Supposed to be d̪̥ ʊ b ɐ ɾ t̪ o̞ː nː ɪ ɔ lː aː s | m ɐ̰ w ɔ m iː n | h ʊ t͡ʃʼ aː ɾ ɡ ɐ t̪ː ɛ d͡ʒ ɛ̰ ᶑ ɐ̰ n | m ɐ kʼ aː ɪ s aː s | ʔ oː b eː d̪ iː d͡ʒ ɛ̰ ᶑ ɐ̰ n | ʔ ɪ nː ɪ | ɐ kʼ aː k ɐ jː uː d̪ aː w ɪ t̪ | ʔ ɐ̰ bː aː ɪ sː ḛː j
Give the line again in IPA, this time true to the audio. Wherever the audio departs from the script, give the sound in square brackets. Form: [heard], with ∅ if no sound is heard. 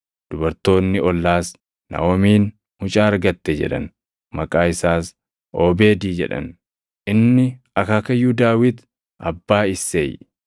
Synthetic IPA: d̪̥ ʊ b ɐ ɾ t̪ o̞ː nː ɪ ɔ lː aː s | [n] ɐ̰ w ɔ m iː n | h ʊ t͡ʃʼ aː ɾ ɡ ɐ t̪ː ɛ d͡ʒ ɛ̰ ᶑ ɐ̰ n | m ɐ kʼ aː ɪ s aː s | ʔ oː b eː d̪ iː d͡ʒ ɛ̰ ᶑ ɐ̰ n | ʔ ɪ nː ɪ | ɐ [k] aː k ɐ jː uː d̪ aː w ɪ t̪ | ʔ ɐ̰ bː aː ɪ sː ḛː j